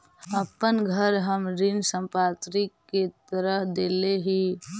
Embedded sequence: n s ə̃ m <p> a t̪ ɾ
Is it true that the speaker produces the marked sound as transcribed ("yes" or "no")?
yes